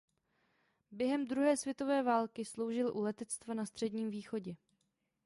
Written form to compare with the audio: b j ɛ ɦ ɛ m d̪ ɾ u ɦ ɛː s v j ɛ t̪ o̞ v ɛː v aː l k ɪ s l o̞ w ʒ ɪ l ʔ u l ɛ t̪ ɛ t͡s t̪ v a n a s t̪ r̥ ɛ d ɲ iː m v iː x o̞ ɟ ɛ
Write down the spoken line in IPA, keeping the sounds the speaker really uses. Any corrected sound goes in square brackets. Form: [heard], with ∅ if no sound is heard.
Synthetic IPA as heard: b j ɛ ɦ ɛ m d̪ ɾ u ɦ ɛː s v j ɛ t̪ o̞ v ɛː v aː l k ɪ s l o̞ w ʒ ɪ l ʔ u l ɛ t̪ ɛ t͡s t̪ v a n a s t̪ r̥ ɛ d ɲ iː m v iː x o̞ ɟ ɛ

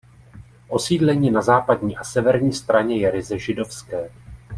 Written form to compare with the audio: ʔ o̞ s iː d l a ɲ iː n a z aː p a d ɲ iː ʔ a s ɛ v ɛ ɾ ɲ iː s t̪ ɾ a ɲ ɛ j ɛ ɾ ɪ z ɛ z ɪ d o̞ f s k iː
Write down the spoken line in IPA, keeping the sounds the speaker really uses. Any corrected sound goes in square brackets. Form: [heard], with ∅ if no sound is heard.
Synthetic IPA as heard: ʔ o̞ s iː d l [ɛ] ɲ iː n a z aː p a d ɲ iː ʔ a s ɛ v ɛ ɾ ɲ iː s t̪ ɾ a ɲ ɛ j ɛ ɾ ɪ z ɛ [ʒ] ɪ d o̞ f s k [ɛː]

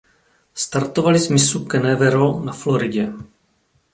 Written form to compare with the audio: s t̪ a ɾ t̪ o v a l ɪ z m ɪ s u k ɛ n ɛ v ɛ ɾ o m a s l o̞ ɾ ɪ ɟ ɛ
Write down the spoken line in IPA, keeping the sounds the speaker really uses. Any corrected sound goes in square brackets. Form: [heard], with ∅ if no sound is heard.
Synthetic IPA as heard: s t̪ a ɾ t̪ o v a l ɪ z m ɪ s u k ɛ n ɛ v ɛ ɾ o [n] a [f] l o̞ ɾ ɪ ɟ ɛ

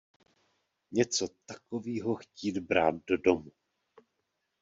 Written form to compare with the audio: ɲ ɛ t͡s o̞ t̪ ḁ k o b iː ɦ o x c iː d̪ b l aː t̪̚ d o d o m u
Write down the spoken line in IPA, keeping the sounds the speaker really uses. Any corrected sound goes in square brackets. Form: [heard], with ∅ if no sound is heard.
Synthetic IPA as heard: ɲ ɛ t͡s o̞ t̪ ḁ k o [v] iː ɦ o x c iː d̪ b [ɾ] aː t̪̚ d o d o m u

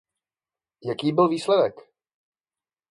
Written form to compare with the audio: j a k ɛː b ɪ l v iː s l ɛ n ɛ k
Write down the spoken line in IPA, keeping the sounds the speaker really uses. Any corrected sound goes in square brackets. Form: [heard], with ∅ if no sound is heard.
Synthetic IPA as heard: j a k [iː] b ɪ l v iː s l ɛ [d] ɛ k

